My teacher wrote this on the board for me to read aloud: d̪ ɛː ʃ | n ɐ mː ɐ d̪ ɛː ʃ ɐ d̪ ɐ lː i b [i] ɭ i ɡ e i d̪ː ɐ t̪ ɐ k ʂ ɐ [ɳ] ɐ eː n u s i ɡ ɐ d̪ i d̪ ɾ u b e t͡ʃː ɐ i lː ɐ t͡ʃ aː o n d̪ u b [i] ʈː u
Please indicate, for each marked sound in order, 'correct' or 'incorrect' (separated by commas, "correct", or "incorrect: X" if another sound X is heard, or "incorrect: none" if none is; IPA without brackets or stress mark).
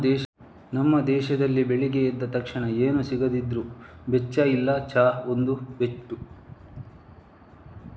incorrect: e, correct, incorrect: e